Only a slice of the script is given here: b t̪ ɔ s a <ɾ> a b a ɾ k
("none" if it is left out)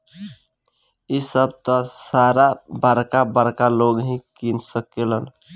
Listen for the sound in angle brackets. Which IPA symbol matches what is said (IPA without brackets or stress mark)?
ɾ